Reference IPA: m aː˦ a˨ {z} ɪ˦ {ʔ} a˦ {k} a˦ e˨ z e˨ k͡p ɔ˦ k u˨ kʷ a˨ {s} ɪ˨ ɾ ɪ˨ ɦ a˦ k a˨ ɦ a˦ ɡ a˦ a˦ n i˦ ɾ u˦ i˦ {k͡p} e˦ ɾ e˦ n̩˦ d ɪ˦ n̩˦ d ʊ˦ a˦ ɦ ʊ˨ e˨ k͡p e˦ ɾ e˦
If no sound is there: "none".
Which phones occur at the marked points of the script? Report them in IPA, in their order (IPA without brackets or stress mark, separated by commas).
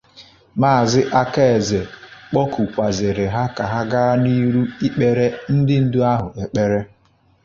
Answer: z, ʔ, k, z, k͡p